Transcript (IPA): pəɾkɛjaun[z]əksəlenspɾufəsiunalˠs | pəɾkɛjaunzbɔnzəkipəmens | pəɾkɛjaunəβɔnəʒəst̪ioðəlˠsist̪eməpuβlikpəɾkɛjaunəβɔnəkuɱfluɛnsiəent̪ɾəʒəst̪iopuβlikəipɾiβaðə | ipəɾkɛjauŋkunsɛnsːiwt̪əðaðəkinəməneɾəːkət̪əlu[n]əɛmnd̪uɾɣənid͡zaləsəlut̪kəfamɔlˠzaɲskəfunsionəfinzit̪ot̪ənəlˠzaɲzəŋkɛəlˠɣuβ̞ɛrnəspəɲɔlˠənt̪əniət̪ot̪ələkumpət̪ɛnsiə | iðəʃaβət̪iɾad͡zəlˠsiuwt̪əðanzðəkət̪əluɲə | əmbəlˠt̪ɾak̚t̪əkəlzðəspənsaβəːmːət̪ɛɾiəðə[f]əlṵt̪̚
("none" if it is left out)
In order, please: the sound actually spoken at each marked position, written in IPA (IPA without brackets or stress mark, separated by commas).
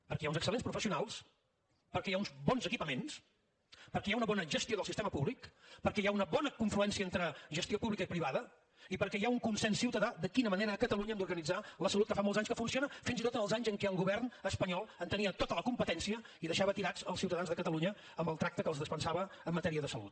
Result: z, ɲ, s